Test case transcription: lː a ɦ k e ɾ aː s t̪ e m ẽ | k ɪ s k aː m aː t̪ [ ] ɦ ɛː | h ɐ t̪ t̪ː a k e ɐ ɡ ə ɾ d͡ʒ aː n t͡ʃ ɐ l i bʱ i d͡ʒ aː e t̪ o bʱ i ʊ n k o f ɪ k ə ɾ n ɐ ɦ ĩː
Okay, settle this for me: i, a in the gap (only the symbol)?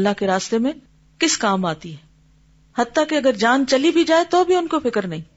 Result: i